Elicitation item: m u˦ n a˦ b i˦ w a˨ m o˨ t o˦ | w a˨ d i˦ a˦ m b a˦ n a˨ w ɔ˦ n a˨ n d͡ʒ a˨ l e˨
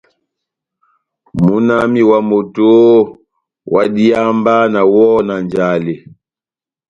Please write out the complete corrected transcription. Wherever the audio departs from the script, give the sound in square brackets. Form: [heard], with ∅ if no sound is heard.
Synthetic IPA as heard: m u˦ n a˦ [m] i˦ w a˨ m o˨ t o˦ | w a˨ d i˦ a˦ m b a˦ n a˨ w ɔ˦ n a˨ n d͡ʒ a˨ l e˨